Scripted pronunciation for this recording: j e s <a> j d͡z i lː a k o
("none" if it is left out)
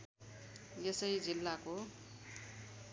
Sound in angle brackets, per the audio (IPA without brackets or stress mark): ʌ